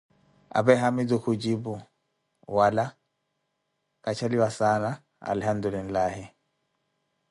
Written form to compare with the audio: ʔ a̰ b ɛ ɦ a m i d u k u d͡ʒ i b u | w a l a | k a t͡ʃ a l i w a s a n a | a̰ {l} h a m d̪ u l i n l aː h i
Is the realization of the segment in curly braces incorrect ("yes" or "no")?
no